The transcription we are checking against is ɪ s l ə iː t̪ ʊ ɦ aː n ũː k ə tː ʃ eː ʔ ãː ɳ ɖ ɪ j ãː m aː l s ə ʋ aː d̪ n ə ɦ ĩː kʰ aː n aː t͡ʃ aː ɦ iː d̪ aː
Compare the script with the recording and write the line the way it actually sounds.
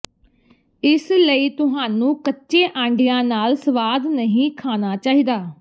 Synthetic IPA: ɪ s l ə iː t̪ ʊ ɦ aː n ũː k ə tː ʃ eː ʔ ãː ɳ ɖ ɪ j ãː n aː l s ə ʋ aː d̪ n ə ɦ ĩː kʰ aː n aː t͡ʃ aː ɦ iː d̪ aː